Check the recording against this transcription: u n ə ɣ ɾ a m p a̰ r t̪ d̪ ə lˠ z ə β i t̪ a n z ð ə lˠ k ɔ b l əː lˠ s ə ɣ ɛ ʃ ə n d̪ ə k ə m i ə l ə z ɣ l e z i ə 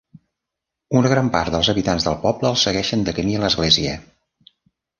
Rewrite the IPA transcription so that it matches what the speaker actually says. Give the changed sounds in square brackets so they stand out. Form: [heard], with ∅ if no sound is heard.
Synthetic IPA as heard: u n ə ɣ ɾ a m p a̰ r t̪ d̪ ə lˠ z ə β i t̪ a n z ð ə lˠ [p] ɔ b l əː lˠ s ə ɣ ɛ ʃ ə n d̪ ə k ə m i ə l ə z ɣ l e z i ə

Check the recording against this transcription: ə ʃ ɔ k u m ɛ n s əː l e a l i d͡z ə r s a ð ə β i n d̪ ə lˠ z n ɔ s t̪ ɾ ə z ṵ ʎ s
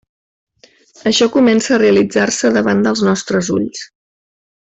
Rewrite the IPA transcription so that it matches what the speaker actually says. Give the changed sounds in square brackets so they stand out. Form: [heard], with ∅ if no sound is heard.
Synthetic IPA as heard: ə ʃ ɔ k u m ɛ n s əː [r] e [ə] l i d͡z [a] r s [ə] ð ə β [a] n d̪ ə lˠ z n ɔ s t̪ ɾ ə z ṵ ʎ s

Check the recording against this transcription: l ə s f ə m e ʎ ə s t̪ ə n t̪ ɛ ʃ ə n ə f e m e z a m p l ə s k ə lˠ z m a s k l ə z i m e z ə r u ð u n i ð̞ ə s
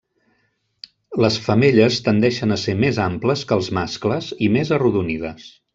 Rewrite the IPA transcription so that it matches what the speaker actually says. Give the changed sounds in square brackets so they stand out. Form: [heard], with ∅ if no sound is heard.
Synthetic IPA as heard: l ə s f ə m e ʎ ə s t̪ ə n [d̪] ɛ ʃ ə n ə [s] e m e z a m p l ə s k ə lˠ z m a s k l ə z i m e z ə r u ð u n i ð̞ ə s

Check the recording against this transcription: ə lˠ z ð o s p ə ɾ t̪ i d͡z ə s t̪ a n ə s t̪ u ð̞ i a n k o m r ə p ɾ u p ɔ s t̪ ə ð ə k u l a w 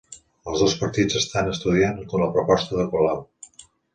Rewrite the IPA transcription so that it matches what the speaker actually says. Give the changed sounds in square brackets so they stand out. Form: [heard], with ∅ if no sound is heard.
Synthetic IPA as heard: ə lˠ z ð o s p ə ɾ t̪ i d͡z ə s t̪ a n ə s t̪ u ð̞ i a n k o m [l] ə p ɾ u p ɔ s t̪ ə ð ə k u l a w

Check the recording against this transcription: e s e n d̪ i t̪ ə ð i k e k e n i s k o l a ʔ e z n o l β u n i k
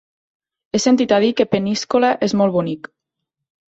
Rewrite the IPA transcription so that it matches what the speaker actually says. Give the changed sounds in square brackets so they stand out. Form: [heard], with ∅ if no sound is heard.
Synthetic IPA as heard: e s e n [t̪] i t̪ [a] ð i k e [p] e n i s k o l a ʔ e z [m] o l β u n i k

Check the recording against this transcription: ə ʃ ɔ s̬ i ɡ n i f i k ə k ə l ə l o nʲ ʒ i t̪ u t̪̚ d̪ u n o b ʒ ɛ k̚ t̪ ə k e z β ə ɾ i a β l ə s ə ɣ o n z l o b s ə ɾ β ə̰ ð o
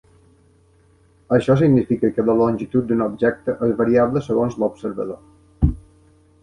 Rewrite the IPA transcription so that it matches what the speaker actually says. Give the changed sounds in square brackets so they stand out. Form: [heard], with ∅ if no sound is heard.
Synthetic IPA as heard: ə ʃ ɔ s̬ i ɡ n i f i k ə k ə l ə l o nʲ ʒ i t̪ u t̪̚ d̪ u n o b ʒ ɛ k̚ t̪ ə [ʔ] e z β ə ɾ i a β l ə s ə ɣ o n z l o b s ə ɾ β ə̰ ð o

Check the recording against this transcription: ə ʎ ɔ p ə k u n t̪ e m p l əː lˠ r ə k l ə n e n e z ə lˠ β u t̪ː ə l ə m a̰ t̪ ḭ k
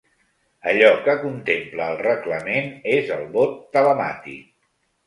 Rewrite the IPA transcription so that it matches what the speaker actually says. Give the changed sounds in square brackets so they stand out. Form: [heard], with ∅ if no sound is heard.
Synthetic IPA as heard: ə ʎ ɔ [k] ə k u n t̪ e m p l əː lˠ r ə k l ə [m] e n e z ə lˠ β [o] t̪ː ə l ə m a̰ t̪ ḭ k

